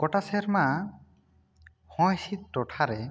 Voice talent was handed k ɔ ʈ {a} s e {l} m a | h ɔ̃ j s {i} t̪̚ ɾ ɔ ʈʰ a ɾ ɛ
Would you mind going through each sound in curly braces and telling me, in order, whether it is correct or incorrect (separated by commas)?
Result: correct, incorrect, correct